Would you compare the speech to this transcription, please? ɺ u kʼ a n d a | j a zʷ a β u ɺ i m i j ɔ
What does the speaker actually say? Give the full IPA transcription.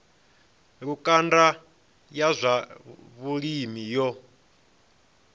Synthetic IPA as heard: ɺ u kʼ a n d a | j a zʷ a β u ɺ i m i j ɔ